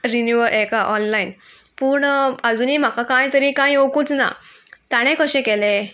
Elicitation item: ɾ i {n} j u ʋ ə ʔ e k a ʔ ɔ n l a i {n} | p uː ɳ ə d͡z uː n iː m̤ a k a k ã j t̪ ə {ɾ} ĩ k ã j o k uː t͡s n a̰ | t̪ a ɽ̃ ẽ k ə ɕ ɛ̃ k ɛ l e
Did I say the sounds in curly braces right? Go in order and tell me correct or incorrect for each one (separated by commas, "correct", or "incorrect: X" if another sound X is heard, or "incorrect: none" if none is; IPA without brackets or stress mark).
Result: correct, correct, correct